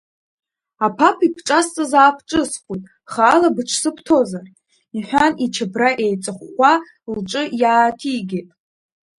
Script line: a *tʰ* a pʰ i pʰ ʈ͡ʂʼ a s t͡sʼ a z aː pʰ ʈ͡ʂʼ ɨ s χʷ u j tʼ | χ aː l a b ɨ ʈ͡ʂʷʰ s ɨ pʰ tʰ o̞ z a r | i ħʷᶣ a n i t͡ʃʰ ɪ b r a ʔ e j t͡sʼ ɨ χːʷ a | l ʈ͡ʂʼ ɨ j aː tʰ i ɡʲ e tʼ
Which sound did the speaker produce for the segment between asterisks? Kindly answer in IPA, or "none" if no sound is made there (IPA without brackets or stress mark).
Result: pʰ